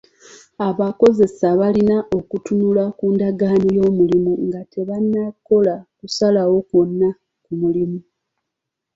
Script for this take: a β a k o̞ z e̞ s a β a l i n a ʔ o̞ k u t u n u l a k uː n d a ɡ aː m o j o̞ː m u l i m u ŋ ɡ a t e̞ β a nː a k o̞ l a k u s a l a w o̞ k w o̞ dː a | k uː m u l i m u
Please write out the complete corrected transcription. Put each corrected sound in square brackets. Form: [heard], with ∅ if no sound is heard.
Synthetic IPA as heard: a β a k o̞ z e̞ s a β a l i n a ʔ o̞ k u t u n u l a k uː n d a ɡ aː [n] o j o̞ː m u l i m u ŋ ɡ a t e̞ β a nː a k o̞ l a k u s a l a w o̞ k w o̞ [nː] a | k [u] m u l i m u